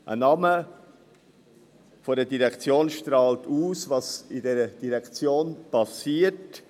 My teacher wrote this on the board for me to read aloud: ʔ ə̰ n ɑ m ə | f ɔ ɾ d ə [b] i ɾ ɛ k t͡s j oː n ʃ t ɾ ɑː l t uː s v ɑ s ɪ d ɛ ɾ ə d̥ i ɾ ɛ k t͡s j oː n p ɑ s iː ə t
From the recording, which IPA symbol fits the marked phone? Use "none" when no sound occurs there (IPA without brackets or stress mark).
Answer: d